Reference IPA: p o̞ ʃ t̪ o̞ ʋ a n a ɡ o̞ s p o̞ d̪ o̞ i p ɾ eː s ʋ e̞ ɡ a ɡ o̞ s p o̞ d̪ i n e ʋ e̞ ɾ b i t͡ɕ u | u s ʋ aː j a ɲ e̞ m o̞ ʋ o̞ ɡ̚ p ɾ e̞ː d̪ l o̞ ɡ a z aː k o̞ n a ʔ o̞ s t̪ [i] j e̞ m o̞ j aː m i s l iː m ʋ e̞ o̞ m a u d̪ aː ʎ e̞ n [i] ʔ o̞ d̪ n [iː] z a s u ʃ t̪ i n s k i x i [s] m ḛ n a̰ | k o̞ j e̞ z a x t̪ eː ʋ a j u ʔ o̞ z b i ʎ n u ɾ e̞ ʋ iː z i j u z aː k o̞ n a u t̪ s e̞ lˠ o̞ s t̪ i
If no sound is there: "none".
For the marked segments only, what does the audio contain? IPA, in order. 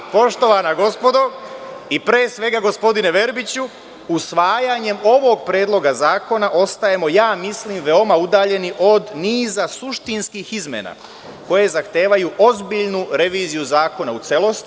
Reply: a, i, iː, z

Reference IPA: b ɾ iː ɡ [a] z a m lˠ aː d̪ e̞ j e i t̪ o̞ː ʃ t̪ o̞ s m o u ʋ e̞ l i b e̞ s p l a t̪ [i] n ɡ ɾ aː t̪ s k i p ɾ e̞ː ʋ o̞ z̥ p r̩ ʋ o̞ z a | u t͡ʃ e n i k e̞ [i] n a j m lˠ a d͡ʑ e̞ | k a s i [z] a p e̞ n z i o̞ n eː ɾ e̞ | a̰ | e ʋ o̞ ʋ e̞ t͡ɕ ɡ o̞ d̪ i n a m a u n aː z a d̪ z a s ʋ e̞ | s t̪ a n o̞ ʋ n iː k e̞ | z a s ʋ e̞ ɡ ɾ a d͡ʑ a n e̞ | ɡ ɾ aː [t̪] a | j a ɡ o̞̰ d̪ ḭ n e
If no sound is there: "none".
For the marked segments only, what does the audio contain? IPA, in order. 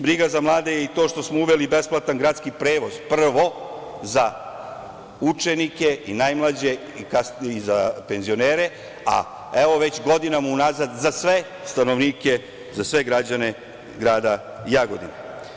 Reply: a, a, i, z, d̪

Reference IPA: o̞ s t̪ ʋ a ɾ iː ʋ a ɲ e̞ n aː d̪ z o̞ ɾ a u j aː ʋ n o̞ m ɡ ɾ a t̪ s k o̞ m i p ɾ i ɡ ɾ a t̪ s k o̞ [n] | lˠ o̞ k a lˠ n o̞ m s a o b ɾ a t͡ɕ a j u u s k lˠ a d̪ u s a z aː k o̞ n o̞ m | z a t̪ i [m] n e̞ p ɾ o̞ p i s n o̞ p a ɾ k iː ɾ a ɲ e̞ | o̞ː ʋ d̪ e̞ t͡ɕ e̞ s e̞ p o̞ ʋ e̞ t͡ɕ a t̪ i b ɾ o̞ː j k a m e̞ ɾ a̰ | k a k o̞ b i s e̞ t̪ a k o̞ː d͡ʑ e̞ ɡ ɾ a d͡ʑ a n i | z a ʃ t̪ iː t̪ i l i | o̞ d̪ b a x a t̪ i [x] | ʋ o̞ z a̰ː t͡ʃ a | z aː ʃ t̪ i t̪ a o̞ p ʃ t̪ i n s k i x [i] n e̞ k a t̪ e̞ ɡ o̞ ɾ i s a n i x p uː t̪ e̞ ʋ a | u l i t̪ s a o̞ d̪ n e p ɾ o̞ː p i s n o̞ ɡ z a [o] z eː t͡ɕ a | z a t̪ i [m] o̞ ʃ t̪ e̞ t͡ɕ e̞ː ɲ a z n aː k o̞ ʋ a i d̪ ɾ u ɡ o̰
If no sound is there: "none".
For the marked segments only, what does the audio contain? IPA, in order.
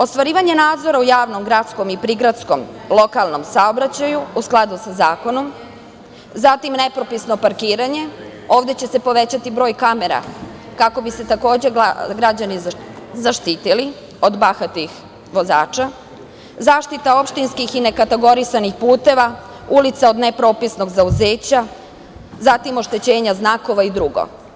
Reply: m, m, x, i, u, m

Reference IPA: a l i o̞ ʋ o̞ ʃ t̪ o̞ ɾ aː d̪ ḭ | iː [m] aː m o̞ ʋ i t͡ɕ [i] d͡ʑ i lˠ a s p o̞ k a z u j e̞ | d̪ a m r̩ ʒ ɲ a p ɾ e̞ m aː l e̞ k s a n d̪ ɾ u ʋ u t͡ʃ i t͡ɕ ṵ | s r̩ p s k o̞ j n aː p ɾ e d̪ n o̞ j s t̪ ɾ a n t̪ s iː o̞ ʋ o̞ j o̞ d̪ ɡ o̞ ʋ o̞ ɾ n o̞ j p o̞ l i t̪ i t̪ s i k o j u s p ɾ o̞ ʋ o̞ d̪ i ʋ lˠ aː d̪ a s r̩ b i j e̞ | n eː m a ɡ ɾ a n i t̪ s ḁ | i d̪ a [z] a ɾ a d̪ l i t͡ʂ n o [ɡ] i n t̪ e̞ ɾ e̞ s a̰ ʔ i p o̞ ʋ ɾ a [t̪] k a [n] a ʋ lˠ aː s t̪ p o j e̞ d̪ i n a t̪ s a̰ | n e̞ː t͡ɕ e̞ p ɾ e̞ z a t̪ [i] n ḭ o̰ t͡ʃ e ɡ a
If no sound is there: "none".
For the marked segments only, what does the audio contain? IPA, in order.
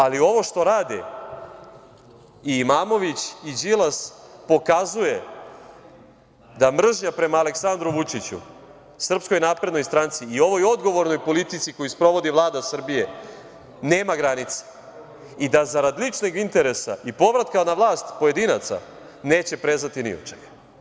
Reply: m, i, z, ɡ, t̪, n, i

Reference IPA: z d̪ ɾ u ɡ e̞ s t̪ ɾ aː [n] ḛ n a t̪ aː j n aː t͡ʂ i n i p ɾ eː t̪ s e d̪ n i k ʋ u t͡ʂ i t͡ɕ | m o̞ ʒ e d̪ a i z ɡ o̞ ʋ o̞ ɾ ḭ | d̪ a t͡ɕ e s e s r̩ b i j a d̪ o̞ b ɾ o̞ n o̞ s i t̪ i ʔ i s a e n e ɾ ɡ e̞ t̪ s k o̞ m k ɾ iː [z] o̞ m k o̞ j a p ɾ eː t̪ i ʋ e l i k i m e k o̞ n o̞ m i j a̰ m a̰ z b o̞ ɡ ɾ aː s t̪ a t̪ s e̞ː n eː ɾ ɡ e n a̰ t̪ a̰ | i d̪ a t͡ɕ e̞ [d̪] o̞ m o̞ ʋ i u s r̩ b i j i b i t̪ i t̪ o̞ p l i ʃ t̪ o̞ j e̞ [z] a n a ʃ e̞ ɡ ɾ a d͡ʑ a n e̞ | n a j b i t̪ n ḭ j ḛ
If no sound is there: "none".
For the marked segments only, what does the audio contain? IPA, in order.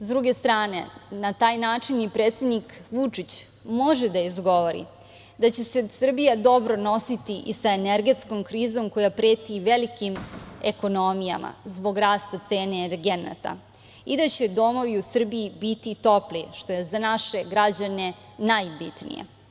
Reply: n, z, d̪, z

